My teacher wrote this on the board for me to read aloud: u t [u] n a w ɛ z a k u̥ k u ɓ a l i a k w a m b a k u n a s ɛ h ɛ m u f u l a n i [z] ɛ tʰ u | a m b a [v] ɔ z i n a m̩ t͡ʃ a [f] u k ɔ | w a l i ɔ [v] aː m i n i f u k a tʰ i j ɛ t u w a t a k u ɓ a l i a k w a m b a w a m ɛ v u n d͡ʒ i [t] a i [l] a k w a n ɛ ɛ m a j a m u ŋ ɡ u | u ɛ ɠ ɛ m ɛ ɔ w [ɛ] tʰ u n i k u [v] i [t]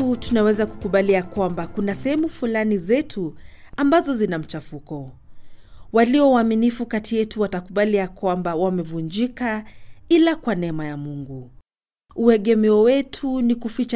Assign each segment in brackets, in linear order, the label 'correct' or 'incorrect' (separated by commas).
correct, correct, incorrect, correct, incorrect, incorrect, correct, correct, incorrect, incorrect